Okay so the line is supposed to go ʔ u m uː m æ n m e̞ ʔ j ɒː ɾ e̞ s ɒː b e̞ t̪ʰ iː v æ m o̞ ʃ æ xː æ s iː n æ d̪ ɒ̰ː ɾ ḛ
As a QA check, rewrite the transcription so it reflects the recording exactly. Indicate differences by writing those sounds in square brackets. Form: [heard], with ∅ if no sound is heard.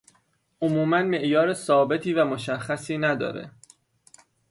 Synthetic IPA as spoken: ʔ [o] m uː m æ n m e̞ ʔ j ɒː ɾ e̞ s ɒː b e̞ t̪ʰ iː v æ m o̞ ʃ æ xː æ s iː n æ d̪ ɒ̰ː ɾ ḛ